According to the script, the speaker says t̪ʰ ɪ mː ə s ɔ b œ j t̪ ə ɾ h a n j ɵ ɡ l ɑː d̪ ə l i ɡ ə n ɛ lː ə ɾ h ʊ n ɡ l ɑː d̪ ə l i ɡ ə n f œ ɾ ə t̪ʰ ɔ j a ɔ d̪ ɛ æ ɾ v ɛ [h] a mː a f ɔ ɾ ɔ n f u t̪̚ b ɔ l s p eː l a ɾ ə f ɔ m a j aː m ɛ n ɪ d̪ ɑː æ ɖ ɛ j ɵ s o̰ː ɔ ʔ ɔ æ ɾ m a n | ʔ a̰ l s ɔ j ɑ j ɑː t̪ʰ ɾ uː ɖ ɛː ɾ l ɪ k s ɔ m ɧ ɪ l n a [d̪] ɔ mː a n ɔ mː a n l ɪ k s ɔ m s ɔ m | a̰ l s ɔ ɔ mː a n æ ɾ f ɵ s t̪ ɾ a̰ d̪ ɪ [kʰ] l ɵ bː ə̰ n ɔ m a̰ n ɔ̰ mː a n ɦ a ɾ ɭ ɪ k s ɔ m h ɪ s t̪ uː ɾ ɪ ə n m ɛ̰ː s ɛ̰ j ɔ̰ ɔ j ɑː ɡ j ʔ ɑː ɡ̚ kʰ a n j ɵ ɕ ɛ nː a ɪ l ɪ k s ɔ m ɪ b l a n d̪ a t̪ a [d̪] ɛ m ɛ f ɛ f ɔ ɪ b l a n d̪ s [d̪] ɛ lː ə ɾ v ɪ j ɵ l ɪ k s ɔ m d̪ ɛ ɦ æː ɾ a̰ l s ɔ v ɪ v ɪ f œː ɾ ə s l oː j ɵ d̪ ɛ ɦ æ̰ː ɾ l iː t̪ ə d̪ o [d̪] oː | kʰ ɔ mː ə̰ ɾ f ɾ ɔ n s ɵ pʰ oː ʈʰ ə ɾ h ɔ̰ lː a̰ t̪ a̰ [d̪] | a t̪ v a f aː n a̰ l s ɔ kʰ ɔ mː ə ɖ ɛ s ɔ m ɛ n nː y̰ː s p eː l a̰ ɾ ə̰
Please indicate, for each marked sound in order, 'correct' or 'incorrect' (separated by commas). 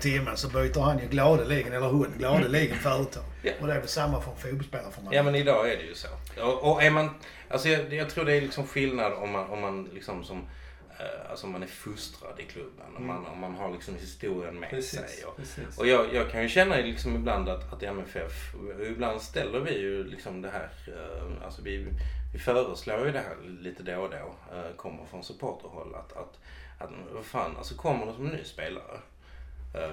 incorrect, correct, correct, incorrect, incorrect, correct, incorrect